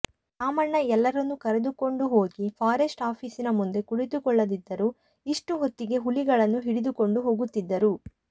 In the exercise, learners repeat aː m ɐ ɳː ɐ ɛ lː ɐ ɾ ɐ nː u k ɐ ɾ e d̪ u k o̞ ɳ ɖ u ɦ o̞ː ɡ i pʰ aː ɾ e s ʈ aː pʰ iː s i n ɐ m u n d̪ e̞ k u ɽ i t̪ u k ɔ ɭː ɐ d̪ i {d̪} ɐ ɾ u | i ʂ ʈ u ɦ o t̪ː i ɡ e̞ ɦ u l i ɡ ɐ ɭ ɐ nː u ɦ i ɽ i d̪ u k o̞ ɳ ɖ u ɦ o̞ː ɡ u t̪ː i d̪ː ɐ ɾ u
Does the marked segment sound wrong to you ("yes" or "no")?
yes